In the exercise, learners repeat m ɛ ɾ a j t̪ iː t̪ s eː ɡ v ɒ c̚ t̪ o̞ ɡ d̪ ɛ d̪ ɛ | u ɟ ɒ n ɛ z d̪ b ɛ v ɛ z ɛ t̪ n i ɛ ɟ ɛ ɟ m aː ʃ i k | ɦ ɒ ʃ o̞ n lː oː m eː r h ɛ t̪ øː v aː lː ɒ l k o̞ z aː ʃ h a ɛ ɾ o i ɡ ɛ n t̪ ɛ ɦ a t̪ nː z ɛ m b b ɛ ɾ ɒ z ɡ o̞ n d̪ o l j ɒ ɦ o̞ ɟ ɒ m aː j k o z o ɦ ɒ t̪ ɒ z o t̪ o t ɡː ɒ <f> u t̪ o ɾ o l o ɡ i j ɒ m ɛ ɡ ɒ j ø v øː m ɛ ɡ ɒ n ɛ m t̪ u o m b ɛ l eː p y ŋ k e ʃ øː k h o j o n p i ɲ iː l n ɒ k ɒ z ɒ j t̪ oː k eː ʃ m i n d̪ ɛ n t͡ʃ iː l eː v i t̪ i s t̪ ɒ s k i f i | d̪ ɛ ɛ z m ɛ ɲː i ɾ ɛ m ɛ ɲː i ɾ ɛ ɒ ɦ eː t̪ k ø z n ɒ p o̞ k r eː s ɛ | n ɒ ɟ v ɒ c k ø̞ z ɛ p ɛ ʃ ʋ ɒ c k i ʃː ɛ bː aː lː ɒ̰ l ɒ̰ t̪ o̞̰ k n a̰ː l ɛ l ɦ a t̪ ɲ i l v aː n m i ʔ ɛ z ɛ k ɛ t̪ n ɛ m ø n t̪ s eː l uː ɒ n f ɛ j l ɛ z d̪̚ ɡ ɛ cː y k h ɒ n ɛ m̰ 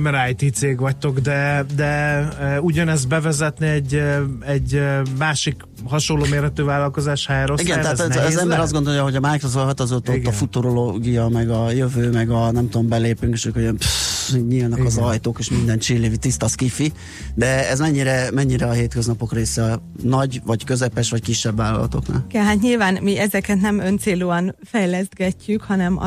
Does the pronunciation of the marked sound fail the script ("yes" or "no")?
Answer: no